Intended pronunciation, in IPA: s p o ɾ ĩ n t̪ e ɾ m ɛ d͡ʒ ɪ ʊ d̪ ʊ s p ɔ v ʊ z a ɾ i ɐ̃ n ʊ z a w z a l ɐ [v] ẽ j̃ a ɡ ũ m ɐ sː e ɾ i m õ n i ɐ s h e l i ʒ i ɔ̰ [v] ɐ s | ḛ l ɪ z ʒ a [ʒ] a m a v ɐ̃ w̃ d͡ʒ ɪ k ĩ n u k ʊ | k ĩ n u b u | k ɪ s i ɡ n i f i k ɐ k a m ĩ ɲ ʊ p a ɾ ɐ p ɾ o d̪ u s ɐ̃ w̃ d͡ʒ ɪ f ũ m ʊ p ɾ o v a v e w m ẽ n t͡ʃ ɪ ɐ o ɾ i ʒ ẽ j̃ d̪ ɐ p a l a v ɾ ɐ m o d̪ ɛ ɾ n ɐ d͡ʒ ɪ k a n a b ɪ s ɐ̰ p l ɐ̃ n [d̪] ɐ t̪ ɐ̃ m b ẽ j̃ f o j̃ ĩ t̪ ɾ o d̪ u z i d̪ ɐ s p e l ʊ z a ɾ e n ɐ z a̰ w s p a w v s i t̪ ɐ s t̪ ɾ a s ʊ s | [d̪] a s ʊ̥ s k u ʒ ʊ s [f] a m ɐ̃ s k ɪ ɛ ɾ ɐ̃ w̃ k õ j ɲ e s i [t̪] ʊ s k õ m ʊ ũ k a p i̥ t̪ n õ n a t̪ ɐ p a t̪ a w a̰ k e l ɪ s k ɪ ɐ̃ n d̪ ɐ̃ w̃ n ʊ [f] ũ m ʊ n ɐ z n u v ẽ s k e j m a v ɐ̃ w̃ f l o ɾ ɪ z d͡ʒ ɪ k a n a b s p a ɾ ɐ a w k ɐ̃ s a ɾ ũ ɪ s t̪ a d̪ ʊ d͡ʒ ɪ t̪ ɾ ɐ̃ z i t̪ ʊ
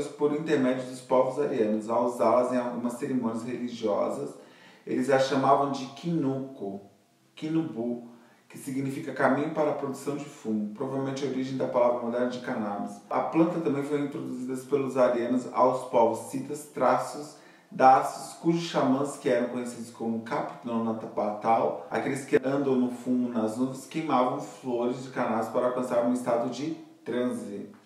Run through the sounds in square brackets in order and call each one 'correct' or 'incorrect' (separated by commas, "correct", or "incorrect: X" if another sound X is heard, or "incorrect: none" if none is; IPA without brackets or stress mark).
incorrect: z, incorrect: z, incorrect: ʃ, incorrect: t̪, correct, incorrect: ʃ, incorrect: d̪, correct